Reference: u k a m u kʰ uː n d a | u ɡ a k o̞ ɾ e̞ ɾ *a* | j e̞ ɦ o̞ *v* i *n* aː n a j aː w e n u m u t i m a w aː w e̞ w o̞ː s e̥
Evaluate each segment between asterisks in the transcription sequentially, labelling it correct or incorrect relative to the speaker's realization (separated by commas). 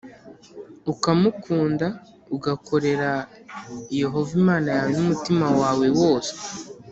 correct, correct, incorrect